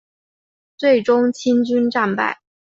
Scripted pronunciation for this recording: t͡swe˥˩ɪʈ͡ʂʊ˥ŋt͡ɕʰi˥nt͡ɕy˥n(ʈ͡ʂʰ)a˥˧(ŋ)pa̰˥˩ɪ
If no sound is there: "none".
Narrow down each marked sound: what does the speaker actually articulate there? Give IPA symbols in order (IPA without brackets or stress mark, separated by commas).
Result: ʈ͡ʂ, n